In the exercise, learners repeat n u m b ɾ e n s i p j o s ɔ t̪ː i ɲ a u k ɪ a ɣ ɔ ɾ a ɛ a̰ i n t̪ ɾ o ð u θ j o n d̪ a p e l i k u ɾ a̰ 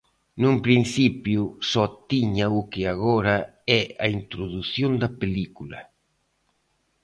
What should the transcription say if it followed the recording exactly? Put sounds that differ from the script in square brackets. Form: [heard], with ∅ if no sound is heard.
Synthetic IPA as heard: n u m [p] ɾ [i] n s i p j [u] s ɔ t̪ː i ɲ a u k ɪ a ɣ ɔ ɾ a ɛ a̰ i n t̪ ɾ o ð u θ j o n d̪ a p e l i k u [l] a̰

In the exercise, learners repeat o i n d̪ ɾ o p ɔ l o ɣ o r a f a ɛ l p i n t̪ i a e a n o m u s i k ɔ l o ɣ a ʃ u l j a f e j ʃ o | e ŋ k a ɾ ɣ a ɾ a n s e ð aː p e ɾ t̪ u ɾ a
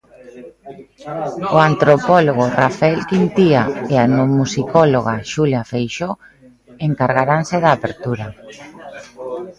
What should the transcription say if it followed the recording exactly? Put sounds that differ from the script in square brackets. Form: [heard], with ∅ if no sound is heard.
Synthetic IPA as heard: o [a] n [t̪] ɾ o p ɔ l o ɣ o r a f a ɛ l [k] i n t̪ i a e a n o m u s i k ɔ l o ɣ a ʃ u l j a f e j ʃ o | e ŋ k a ɾ ɣ a ɾ a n s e ð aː p e ɾ t̪ u ɾ a

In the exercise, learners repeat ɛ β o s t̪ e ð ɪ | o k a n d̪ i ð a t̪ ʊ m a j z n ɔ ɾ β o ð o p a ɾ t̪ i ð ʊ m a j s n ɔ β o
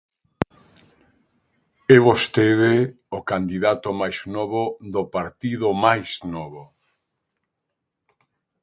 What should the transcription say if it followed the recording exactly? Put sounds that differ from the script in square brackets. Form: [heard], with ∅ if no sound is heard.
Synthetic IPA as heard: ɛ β o s t̪ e ð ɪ | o k a n d̪ i ð a t̪ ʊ m a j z n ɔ [∅] β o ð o p a ɾ t̪ i ð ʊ m a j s n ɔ β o

